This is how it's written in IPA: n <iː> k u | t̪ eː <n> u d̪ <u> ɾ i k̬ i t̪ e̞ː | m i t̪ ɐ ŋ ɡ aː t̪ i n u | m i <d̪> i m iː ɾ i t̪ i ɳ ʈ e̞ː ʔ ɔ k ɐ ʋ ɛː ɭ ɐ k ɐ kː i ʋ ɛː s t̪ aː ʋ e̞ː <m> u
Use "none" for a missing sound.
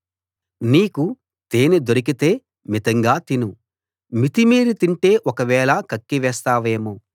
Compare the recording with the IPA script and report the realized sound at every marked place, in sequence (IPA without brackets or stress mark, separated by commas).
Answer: iː, n, o, t̪, m